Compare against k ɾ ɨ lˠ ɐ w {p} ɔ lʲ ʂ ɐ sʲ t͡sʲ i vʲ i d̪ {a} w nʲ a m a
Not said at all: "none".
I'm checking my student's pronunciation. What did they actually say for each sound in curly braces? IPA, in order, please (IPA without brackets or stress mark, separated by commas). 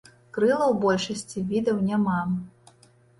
b, ɐ